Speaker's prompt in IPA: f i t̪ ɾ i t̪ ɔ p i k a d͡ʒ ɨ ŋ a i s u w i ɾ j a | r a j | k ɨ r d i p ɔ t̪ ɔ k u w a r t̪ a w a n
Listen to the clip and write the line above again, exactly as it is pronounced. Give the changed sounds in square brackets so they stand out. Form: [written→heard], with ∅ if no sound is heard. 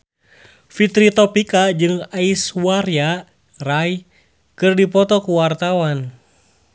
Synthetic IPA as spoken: f i t̪ ɾ i t̪ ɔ p i k a d͡ʒ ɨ ŋ a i s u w [i→a] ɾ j a | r a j | k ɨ r d i p ɔ t̪ ɔ k u w a r t̪ a w a n